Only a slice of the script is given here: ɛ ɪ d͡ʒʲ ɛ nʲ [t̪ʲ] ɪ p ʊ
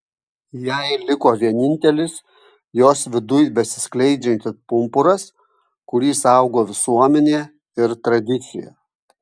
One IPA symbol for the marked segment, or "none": t̪ʲ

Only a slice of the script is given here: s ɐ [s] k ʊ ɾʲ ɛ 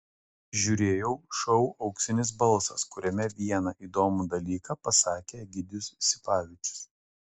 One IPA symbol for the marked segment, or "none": s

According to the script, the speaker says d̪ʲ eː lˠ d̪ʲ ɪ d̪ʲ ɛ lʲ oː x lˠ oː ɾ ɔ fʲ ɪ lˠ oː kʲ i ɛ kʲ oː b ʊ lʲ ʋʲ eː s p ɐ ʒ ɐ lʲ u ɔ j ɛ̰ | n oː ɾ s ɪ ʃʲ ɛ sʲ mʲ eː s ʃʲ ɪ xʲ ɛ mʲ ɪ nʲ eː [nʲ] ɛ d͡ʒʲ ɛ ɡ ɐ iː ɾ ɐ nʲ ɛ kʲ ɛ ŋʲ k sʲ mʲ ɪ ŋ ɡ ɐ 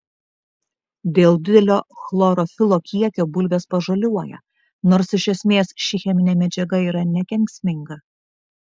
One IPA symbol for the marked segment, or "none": mʲ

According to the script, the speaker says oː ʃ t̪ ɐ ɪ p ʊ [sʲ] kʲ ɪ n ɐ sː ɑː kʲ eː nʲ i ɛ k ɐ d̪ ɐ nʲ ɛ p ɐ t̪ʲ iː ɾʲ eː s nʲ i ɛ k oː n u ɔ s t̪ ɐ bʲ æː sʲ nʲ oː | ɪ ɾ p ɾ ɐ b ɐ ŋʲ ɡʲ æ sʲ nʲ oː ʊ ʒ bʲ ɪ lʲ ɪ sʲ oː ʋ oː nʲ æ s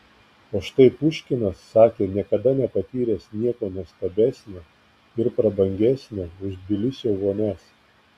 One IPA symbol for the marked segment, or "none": ʃʲ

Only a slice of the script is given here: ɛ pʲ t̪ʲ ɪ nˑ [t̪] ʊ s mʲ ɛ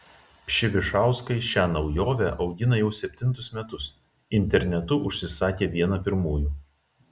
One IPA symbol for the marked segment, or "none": t̪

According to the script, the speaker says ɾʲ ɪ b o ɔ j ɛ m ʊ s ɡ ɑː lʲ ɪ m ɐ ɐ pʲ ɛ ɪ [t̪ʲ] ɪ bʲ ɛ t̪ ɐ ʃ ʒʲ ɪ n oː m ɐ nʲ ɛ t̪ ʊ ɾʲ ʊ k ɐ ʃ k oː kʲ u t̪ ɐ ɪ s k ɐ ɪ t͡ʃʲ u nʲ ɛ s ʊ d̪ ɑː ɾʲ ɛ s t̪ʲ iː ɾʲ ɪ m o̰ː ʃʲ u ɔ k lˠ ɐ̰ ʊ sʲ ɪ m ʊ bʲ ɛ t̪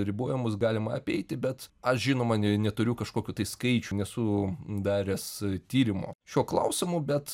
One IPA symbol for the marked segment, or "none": t̪ʲ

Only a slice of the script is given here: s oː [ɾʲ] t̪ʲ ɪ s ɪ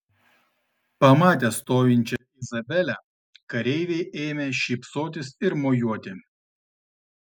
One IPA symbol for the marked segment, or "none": none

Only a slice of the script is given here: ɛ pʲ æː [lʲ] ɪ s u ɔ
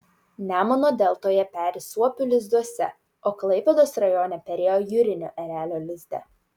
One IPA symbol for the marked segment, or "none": ɾʲ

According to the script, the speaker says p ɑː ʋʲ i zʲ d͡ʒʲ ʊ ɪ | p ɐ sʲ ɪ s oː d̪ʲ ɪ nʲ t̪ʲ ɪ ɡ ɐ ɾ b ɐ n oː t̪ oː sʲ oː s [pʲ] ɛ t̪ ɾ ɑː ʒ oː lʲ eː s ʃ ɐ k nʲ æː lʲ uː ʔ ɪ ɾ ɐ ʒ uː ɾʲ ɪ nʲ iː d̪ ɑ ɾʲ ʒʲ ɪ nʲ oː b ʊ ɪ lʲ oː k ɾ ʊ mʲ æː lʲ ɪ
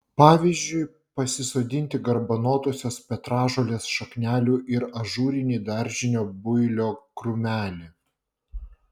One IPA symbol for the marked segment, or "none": pʲ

